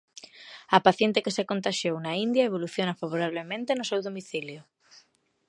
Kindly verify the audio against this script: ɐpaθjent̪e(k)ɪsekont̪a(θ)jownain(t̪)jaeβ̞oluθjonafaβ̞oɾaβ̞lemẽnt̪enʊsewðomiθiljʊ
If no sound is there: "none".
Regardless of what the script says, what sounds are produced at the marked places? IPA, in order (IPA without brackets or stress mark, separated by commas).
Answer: k, ʃ, d̪